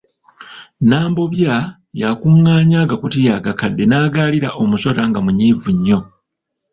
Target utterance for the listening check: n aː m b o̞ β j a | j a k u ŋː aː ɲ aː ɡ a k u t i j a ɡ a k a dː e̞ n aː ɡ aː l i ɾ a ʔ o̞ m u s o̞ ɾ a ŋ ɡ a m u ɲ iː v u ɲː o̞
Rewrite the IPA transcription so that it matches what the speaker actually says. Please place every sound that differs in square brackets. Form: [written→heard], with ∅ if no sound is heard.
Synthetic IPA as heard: n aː m b o̞ β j a | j a k u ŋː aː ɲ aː ɡ a k u t i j a ɡ a k a dː e̞ n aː ɡ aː l i ɾ a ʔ o̞ m u s o̞ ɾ a ŋ ɡ a m u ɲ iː v u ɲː o̞